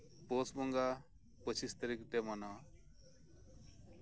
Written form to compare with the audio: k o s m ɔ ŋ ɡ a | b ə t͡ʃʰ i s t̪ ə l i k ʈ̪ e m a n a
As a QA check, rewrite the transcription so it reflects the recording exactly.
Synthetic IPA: p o s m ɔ ŋ ɡ a | p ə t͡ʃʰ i s t̪ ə ɾ i k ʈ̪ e m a n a